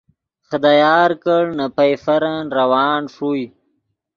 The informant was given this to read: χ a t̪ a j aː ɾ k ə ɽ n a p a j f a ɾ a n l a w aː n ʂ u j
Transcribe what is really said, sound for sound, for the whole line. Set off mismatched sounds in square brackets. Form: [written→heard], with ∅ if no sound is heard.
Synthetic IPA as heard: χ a [t̪→d̪] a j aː ɾ k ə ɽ n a p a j f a ɾ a n [l→ɾ] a w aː n ʂ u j

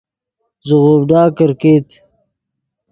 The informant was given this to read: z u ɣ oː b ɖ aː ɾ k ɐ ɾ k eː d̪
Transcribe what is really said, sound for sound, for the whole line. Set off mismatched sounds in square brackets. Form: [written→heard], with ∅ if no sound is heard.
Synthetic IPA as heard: z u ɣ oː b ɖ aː [ɾ→∅] k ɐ ɾ k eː [d̪→t̪]

